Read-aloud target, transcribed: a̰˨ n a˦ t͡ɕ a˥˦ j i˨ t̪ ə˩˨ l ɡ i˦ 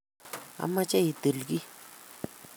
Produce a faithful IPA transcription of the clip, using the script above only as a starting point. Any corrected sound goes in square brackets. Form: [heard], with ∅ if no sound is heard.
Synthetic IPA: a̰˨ [m] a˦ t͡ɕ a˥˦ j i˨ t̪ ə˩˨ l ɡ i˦